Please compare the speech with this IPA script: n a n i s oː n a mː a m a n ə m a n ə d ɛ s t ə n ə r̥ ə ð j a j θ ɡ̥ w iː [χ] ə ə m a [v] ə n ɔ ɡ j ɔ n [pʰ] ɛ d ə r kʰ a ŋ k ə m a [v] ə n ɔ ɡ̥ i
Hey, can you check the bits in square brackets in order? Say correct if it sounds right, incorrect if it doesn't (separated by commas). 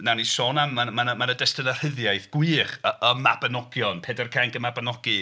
correct, incorrect, correct, incorrect